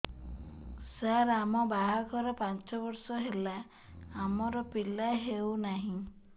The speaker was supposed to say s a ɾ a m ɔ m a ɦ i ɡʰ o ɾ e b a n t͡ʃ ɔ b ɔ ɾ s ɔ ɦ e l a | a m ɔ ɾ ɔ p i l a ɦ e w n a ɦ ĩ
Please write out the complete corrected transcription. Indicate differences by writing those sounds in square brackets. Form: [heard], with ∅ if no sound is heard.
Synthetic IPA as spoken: s a ɾ a m ɔ [b] a ɦ [a] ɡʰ [ɔ] ɾ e [p] a n t͡ʃ ɔ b ɔ ɾ s ɔ ɦ e l a | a m ɔ ɾ ɔ p i l a ɦ e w n a ɦ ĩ